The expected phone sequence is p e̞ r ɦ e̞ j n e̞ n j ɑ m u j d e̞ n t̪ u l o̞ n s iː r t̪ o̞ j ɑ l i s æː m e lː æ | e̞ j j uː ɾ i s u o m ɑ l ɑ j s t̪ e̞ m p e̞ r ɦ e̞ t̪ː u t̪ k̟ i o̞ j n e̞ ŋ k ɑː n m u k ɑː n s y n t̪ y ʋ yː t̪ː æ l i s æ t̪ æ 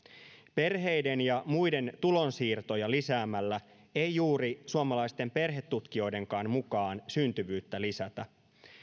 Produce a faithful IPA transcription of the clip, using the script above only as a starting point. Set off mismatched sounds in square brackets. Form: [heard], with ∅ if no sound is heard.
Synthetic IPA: p e̞ r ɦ e̞ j [d] e̞ n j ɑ m u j d e̞ n t̪ u l o̞ n s iː r t̪ o̞ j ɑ l i s æː m [æ] lː æ | e̞ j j uː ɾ i s u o m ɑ l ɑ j s t̪ e̞ m p e̞ r ɦ e̞ t̪ː u t̪ k̟ i o̞ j [d] e̞ ŋ k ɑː n m u k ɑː n s y n t̪ y ʋ yː t̪ː æ l i s æ t̪ æ